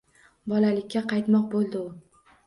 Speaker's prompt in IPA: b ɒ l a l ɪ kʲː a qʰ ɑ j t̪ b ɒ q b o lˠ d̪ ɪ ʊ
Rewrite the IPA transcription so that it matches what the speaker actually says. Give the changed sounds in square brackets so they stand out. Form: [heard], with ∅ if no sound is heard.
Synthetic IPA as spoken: b ɒ l a l ɪ kʲː a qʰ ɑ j t̪ [m] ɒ q b o lˠ d̪ ɪ ʊ